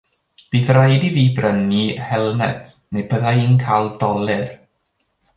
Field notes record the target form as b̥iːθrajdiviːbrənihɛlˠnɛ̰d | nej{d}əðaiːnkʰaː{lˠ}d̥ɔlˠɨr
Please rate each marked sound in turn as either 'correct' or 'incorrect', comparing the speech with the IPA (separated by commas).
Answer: incorrect, correct